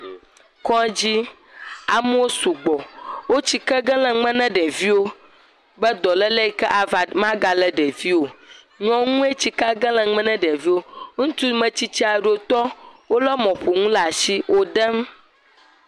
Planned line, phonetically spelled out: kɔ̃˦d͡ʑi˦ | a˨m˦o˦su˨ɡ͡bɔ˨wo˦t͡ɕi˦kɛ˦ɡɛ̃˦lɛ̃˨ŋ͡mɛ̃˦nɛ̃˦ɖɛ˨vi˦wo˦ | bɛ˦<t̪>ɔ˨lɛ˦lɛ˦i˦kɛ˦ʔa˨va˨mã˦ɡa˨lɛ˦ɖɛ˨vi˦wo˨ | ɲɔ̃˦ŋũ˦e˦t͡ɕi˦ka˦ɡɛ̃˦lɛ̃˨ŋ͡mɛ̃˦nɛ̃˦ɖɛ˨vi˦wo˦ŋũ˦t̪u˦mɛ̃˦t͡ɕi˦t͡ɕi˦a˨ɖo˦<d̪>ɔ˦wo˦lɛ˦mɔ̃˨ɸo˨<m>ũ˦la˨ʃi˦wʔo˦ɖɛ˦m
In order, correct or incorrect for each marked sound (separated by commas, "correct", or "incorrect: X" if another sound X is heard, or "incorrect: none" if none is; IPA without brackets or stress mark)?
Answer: incorrect: d̪, incorrect: t̪, incorrect: ŋ